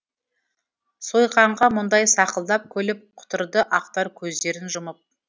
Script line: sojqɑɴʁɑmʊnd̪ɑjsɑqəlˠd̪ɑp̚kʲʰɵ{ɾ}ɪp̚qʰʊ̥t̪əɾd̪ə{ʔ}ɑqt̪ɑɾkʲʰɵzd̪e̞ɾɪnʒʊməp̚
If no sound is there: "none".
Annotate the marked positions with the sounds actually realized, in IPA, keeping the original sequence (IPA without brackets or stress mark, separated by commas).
l, ʔ